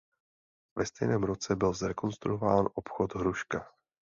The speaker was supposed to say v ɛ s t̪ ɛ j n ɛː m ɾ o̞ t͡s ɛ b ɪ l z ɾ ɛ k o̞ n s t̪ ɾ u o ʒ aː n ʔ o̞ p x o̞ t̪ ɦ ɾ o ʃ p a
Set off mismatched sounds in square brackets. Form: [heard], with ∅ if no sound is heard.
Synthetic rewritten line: v ɛ s t̪ ɛ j n ɛː m ɾ o̞ t͡s ɛ b ɪ l z ɾ ɛ k o̞ n s t̪ ɾ u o [v] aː n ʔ o̞ p x o̞ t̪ ɦ ɾ [u] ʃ [k] a

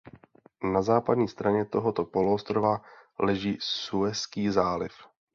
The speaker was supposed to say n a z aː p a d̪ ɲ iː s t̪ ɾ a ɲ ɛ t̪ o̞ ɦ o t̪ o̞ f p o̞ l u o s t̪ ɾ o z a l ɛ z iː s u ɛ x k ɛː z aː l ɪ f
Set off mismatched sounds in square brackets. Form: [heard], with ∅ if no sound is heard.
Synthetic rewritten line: n a z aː p a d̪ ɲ iː s t̪ ɾ a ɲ ɛ t̪ o̞ ɦ o t̪ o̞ [∅] p o̞ l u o s t̪ ɾ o [v] a l ɛ [ʒ] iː s u ɛ [s] k [iː] z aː l ɪ f

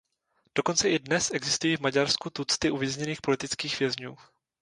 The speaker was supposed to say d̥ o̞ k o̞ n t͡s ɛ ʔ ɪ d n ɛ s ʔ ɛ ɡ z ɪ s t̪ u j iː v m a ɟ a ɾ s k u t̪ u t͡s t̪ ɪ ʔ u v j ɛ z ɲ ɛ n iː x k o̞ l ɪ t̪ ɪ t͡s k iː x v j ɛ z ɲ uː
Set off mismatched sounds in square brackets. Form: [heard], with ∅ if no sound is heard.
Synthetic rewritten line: d̥ o̞ k o̞ n t͡s ɛ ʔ ɪ d n ɛ s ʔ ɛ ɡ z ɪ s t̪ u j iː v m a ɟ a ɾ s k u t̪ u t͡s t̪ ɪ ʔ u v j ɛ z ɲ ɛ n iː x [p] o̞ l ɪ t̪ ɪ t͡s k iː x v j ɛ z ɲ uː

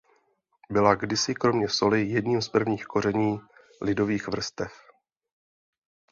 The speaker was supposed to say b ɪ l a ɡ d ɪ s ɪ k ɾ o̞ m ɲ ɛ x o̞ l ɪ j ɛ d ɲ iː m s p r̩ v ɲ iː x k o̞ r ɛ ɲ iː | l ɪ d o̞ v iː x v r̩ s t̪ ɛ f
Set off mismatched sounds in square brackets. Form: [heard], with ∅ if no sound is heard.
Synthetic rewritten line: b ɪ l a ɡ d ɪ s ɪ k ɾ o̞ m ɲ ɛ [s] o̞ l ɪ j ɛ d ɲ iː m s p r̩ v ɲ iː x k o̞ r ɛ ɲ iː | l ɪ d o̞ v iː x v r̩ s t̪ ɛ f

